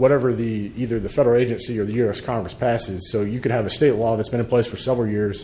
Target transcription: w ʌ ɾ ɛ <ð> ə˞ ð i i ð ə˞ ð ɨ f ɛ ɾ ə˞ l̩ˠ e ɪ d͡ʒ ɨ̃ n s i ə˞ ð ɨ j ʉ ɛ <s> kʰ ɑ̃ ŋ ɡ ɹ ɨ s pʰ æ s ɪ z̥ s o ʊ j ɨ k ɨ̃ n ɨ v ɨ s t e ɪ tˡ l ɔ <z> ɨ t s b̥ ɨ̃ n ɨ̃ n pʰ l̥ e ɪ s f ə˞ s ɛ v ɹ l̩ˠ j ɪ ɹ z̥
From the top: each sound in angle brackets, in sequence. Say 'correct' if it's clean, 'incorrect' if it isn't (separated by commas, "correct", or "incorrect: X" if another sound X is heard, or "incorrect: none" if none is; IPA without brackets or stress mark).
incorrect: v, correct, incorrect: ð